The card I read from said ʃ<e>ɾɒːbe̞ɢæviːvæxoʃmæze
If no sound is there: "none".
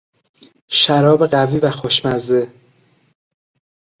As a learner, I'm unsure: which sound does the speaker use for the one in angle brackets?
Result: æ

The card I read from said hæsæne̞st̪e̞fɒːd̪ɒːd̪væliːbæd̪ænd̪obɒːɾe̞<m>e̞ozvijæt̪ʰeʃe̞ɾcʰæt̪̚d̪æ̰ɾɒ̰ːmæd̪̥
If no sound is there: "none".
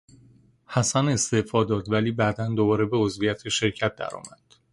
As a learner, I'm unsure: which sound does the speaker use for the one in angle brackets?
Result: b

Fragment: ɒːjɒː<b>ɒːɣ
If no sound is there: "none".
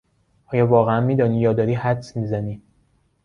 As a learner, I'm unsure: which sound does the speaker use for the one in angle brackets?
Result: v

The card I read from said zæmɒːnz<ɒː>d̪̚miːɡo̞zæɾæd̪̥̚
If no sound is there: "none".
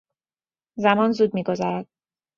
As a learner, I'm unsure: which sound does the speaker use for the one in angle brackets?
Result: uː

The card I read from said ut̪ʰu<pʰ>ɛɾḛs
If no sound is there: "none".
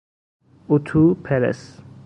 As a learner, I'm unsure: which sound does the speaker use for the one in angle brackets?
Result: pʰ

